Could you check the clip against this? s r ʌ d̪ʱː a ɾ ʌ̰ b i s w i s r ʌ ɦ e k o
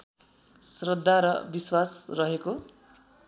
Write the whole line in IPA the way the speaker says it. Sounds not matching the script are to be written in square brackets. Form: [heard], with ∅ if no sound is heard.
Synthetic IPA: s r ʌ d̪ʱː a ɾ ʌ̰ b i s w [a] s r ʌ ɦ e k o